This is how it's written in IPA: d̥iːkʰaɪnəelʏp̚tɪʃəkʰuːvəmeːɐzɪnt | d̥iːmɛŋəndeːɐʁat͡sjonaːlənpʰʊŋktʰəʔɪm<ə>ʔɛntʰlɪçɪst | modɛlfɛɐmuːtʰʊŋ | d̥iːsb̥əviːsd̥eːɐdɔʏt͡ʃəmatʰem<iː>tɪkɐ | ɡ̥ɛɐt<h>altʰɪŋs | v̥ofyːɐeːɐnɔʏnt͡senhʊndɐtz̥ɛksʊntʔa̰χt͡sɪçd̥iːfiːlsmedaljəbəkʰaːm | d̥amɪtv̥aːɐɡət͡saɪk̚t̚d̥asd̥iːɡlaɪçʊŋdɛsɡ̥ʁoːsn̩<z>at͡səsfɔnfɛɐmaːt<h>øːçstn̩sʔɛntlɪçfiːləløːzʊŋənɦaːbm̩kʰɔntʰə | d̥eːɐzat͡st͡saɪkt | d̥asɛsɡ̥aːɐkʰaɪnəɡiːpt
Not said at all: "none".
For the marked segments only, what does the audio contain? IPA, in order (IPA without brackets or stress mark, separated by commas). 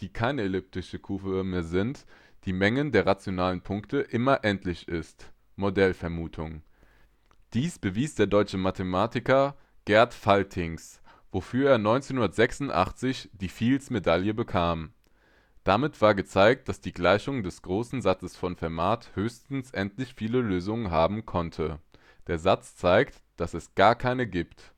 ɐ, aː, f, z, h